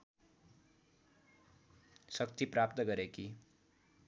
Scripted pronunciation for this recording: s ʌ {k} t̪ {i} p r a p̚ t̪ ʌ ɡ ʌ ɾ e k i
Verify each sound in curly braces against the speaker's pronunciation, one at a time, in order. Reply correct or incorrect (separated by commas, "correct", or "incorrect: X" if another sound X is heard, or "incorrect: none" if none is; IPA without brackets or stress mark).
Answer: correct, correct